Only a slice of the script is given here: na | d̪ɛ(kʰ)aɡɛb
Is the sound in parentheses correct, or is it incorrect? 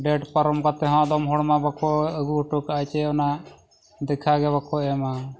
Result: correct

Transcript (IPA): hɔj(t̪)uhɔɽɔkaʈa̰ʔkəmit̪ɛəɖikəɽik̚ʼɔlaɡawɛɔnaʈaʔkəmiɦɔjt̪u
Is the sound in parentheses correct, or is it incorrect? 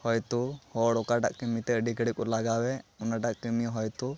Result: correct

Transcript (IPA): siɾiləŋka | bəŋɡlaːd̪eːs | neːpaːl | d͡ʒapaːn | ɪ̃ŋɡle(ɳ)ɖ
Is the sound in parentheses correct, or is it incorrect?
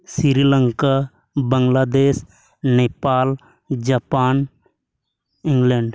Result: correct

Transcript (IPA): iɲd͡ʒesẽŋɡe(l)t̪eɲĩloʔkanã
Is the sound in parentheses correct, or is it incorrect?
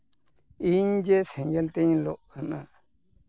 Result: correct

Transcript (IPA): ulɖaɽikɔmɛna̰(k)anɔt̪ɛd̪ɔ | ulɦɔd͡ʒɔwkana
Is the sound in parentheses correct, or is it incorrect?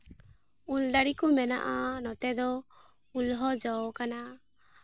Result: incorrect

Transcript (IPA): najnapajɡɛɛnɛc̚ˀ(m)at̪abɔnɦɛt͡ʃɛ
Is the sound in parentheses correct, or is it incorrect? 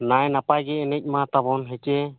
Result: correct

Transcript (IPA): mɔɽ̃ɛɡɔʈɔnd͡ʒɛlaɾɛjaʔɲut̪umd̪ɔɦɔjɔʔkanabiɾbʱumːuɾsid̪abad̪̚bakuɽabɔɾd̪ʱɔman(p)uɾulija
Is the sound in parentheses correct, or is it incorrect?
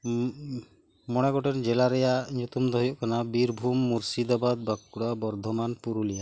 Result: correct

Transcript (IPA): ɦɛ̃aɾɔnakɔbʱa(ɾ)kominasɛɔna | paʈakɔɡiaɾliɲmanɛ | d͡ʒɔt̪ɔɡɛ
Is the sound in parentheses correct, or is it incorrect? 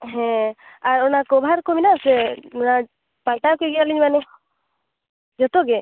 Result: correct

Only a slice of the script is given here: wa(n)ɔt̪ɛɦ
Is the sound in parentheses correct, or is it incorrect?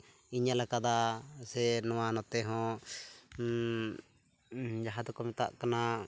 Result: correct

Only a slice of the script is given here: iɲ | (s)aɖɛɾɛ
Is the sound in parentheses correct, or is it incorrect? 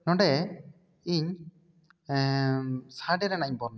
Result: correct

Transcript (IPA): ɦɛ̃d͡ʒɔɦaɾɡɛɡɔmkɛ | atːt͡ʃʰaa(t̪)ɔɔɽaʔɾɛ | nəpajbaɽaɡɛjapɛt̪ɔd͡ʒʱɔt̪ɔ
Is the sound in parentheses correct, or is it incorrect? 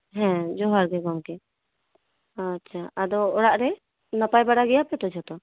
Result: incorrect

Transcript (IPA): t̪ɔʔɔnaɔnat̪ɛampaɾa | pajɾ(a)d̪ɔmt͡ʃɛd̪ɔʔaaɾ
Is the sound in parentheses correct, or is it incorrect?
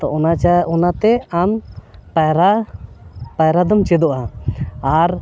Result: correct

